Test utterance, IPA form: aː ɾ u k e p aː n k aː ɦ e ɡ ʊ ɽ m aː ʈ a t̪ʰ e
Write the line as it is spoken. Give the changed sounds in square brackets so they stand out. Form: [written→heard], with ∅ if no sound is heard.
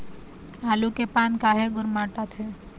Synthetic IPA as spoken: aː [ɾ→l] u k e p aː n k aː ɦ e ɡ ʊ [ɽ→ɾ] m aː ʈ a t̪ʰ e